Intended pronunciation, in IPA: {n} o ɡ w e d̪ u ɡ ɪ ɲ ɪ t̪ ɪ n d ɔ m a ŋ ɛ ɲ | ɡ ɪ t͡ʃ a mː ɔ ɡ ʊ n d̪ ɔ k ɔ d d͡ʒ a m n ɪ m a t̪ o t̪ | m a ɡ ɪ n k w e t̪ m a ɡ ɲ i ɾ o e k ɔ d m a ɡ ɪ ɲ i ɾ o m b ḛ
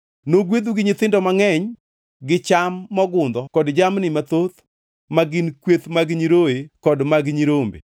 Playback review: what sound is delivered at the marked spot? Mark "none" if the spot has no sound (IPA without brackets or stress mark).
n